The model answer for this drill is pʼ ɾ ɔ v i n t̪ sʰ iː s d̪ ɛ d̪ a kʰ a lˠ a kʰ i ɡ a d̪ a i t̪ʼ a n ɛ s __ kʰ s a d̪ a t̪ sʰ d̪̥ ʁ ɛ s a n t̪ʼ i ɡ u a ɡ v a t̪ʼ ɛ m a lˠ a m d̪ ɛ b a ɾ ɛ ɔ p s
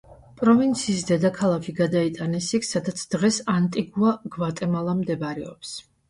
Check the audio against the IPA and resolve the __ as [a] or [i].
i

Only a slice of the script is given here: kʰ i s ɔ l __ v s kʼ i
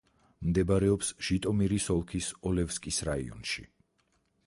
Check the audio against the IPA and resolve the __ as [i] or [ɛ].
ɛ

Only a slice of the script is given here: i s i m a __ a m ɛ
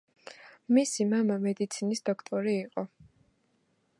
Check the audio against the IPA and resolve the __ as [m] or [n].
m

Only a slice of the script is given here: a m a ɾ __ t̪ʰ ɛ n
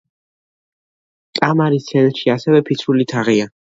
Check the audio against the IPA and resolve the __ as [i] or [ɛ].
i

